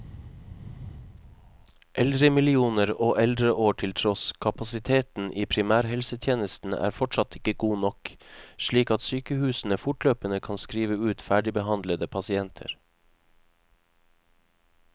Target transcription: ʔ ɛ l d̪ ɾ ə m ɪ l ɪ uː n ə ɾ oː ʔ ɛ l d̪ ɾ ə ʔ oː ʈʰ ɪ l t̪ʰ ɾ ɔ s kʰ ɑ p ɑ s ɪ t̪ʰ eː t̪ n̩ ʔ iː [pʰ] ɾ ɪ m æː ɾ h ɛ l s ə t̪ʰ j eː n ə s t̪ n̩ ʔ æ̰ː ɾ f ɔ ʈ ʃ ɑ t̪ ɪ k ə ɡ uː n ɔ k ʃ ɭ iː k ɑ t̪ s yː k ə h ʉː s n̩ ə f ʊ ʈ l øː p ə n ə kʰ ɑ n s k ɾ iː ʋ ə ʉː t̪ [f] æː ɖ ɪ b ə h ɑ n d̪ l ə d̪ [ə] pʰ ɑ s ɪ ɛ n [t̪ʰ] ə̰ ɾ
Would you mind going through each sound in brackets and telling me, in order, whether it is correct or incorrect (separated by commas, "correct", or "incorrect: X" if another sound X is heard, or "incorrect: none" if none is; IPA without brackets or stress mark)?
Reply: correct, correct, correct, correct